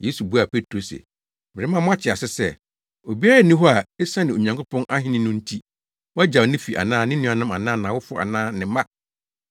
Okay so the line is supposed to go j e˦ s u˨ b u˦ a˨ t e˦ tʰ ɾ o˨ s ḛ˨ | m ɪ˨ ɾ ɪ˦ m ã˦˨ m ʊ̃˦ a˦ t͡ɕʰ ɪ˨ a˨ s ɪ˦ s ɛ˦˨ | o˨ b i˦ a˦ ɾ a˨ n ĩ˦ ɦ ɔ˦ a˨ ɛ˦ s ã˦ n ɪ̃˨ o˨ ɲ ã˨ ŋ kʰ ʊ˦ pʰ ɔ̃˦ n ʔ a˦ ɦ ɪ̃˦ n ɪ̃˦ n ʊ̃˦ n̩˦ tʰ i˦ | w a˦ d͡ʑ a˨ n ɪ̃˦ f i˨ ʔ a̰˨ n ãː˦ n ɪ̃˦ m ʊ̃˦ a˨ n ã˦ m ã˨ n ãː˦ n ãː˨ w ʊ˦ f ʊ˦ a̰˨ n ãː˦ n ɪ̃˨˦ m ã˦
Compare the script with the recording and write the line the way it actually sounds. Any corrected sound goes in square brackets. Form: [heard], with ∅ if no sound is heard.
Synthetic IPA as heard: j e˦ s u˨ b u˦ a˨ [p] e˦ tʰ ɾ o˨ s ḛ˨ | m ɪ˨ ɾ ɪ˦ m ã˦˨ m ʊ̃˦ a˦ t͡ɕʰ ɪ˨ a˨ s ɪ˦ s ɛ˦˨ | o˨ b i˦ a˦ ɾ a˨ n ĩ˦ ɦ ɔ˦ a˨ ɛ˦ s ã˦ n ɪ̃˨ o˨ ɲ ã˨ ŋ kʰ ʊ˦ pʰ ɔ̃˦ n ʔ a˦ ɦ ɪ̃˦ n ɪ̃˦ n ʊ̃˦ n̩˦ tʰ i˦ | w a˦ d͡ʑ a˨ n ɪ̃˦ f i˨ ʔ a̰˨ n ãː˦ n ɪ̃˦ [n] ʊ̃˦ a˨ n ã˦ m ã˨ n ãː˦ n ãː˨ w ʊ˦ f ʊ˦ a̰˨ n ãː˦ n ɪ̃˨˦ m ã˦